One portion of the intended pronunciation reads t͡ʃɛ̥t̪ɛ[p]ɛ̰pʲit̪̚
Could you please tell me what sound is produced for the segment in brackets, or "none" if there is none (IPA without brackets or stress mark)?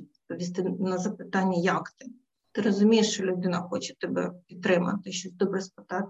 b